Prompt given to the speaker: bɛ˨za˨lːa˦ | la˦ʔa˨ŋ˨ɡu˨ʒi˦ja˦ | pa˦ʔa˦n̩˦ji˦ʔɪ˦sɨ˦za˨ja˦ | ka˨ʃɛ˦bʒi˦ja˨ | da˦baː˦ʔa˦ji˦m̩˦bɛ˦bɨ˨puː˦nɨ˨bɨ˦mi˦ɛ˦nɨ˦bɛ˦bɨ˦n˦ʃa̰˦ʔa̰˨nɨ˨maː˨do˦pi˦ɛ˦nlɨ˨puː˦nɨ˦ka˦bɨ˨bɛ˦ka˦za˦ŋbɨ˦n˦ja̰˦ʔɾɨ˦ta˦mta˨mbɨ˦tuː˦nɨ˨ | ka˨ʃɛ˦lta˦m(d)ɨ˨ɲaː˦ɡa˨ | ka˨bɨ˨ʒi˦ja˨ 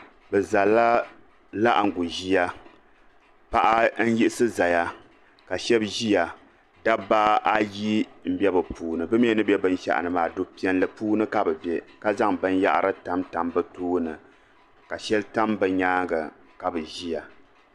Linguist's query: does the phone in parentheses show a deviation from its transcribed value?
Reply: yes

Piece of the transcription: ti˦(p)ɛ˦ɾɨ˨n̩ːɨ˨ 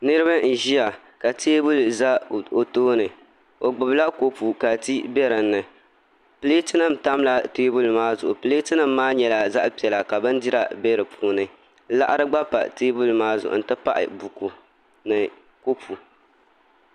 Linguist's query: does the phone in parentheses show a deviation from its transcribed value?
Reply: yes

